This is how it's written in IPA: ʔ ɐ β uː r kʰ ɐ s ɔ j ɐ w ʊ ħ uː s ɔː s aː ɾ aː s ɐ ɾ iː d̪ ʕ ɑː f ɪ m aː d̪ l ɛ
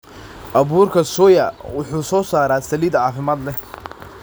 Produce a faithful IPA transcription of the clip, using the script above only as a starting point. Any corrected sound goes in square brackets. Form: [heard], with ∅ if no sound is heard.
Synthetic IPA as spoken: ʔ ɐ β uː r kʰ ɐ s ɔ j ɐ w ʊ ħ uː s ɔː s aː ɾ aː s ɐ [l] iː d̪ ʕ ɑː f ɪ m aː d̪ l ɛ